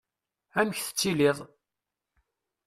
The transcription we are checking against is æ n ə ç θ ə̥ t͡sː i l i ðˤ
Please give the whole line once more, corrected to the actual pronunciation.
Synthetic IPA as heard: æ m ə ç θ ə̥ t͡sː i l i ðˤ